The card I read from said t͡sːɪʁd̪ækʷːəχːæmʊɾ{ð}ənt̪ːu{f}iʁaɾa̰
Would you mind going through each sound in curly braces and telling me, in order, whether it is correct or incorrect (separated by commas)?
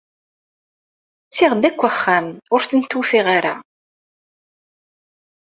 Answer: incorrect, correct